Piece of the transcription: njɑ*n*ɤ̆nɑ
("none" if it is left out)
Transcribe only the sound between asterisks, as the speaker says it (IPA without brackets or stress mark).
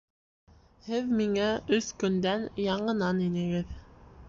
ɴ